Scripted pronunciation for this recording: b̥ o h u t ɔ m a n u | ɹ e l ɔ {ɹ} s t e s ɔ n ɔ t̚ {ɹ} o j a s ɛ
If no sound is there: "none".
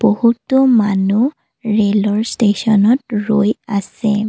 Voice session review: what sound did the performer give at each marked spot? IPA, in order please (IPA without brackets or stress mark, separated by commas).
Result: ɹ, ɹ